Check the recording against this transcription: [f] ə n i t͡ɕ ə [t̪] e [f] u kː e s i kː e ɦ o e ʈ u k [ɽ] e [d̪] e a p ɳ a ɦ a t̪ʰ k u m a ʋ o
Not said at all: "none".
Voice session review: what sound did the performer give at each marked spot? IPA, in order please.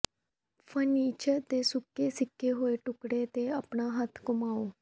f, t̪, s, ɽ, t̪

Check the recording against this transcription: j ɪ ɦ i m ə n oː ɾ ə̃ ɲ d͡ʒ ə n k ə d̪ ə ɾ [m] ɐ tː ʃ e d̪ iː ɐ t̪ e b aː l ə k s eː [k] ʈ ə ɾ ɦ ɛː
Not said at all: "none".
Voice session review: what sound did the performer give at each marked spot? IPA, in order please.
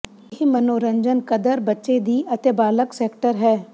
b, k

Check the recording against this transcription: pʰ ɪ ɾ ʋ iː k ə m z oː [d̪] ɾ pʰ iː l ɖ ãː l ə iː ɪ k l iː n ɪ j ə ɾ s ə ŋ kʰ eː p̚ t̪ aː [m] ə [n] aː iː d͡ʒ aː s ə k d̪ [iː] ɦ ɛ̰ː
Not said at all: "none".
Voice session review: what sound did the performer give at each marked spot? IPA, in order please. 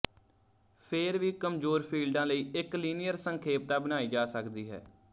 none, b, n, iː

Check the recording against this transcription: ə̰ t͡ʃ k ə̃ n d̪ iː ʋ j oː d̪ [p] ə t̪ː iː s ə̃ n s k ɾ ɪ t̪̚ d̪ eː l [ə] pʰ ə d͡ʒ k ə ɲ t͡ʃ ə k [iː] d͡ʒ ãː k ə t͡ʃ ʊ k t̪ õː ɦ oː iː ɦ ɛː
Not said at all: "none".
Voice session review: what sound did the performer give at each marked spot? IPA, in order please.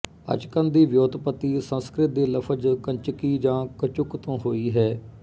p, ə, iː

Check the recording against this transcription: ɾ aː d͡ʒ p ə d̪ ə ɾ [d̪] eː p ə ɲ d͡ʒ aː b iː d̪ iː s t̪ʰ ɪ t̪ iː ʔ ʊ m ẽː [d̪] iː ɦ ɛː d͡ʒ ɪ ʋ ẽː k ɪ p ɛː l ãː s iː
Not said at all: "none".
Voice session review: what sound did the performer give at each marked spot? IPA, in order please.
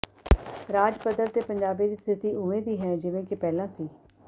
t̪, d̪

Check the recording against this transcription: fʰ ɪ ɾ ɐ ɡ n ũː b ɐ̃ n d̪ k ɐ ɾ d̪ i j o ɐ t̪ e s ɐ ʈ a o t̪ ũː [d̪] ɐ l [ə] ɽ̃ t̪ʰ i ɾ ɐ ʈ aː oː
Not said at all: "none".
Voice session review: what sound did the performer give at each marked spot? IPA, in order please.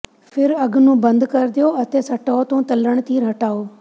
t̪, ə

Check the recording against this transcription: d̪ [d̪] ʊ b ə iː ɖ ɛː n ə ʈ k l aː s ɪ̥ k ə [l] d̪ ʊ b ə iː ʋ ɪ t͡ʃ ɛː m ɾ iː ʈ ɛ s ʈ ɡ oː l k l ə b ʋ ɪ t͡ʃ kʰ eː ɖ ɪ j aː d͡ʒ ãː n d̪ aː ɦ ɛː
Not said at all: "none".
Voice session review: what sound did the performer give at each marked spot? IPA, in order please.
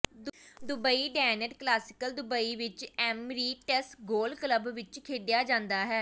d̪, l

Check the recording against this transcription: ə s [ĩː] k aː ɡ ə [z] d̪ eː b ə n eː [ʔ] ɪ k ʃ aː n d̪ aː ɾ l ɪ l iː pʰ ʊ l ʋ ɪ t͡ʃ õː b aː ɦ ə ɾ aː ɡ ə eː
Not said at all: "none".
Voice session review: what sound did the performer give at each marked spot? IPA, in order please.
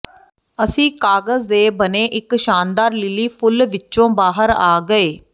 ĩː, z, ʔ

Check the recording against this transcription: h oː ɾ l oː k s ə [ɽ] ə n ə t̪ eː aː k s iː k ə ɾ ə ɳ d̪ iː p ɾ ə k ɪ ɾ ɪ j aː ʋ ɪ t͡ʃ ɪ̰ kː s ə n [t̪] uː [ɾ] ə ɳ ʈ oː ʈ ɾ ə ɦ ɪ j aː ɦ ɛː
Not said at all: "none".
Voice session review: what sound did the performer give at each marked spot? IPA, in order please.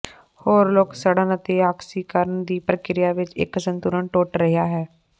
ɽ, t̪, ɾ

